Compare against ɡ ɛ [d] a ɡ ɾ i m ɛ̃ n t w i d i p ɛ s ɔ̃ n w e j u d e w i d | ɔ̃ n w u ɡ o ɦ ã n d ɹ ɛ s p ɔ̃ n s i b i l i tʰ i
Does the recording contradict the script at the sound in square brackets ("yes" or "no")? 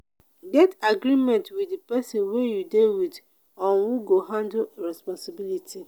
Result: yes